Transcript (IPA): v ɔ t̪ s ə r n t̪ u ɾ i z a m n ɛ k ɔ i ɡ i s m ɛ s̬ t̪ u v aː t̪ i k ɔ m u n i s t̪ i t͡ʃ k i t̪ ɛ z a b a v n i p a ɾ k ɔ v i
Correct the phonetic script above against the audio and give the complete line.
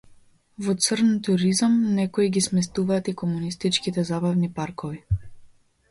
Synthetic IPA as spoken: v ɔ t̪ s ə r n t̪ u ɾ i z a m n ɛ k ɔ i ɡ i s m ɛ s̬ t̪ u v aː t̪ i k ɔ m u n i s t̪ i t͡ʃ k i t̪ ɛ z a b a v n i p a ɾ k ɔ v i